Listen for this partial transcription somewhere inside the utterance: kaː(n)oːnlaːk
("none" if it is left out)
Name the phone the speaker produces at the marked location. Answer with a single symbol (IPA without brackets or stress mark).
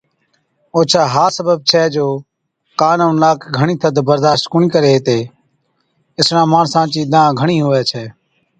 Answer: n